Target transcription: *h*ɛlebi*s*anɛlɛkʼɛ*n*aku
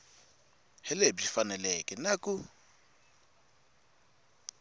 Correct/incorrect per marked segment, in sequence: correct, incorrect, correct

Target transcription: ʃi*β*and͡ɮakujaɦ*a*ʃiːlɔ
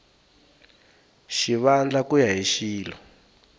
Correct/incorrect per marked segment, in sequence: correct, incorrect

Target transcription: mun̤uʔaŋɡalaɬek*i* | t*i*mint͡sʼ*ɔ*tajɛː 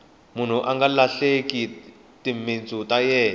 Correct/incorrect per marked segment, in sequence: correct, correct, incorrect

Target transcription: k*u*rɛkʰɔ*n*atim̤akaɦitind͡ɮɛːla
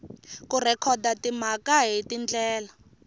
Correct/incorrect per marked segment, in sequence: correct, incorrect

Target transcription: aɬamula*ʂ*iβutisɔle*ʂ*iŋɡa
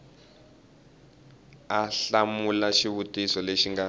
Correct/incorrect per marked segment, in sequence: incorrect, incorrect

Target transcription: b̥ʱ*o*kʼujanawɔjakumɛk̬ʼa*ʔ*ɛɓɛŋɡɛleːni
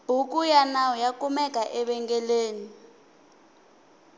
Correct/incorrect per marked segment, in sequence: incorrect, correct

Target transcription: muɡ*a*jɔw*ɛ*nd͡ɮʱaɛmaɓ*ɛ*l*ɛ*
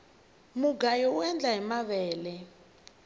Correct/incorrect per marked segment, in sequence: correct, correct, incorrect, correct

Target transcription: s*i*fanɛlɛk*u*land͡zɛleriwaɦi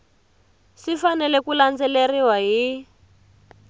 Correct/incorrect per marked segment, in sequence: correct, correct

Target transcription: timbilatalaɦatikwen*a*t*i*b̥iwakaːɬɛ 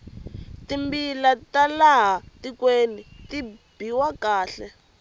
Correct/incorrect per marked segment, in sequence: incorrect, correct

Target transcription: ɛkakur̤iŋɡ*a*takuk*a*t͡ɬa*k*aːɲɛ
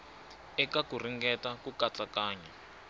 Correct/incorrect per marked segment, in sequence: incorrect, correct, correct

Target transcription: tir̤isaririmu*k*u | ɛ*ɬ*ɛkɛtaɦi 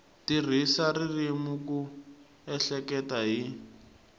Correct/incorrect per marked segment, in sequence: correct, correct

